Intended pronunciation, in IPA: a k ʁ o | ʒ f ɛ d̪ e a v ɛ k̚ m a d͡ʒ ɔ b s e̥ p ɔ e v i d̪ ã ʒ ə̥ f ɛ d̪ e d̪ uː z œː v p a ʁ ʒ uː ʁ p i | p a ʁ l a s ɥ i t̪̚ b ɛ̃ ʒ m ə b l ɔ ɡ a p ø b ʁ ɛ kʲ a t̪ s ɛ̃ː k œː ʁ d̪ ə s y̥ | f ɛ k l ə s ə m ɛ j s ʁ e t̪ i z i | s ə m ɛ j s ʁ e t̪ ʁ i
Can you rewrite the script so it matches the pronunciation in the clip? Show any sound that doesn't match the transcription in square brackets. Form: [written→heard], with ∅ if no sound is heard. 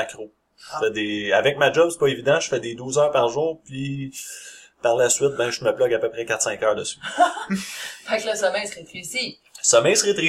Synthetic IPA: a k ʁ o | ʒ f ɛ d̪ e a v ɛ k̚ m a d͡ʒ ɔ b s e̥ p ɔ e v i d̪ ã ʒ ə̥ f ɛ d̪ e d̪ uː z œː [v→ʁ] p a ʁ ʒ uː ʁ p i | p a ʁ l a s ɥ [i→ɪ] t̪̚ b ɛ̃ ʒ m ə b l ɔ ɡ a p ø [b→p] ʁ ɛ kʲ a t̪ s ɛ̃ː k œː ʁ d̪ ə s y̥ | f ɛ k l ə s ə m ɛ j s ʁ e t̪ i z i | s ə m ɛ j s ʁ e t̪ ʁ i